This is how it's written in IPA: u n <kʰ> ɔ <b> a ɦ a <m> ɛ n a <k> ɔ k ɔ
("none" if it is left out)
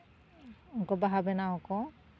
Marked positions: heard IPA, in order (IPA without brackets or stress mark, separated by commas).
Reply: k, b, b, none